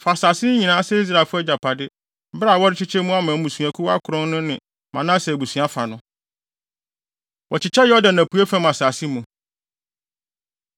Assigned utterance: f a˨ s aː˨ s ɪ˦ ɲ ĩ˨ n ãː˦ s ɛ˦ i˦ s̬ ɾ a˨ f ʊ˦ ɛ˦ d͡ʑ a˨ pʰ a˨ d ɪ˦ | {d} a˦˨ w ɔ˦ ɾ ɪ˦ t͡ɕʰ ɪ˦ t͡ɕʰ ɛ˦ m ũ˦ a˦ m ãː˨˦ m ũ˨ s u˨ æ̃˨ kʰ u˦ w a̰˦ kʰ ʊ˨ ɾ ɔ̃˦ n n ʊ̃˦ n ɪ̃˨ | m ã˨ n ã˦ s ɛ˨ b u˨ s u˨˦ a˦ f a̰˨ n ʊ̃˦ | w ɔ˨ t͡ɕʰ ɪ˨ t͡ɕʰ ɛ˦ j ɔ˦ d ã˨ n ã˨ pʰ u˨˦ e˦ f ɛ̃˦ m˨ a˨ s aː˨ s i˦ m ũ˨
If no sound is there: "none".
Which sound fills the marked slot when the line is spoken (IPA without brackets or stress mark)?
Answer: b